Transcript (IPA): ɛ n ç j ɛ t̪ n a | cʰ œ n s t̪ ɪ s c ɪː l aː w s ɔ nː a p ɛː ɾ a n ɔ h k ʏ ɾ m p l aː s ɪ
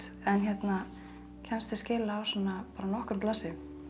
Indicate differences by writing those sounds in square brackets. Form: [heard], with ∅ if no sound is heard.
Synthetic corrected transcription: ɛ n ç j ɛ t̪ n a | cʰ [ɛ] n s t̪ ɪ s c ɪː l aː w s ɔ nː a p [aː] ɾ a n ɔ h k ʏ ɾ m p l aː s ɪ